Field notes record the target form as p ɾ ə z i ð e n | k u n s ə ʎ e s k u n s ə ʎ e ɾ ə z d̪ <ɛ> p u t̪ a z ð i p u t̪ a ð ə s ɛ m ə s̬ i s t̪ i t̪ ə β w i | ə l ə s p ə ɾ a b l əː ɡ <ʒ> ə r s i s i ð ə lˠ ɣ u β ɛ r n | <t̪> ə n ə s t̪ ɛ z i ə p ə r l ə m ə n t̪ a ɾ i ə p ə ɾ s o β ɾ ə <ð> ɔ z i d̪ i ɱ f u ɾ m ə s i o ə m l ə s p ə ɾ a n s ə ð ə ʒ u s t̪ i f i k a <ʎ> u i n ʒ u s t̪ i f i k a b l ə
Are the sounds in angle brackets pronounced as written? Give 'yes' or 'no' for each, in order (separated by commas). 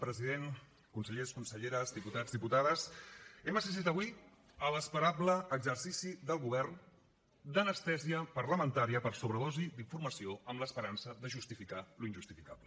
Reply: no, no, no, yes, no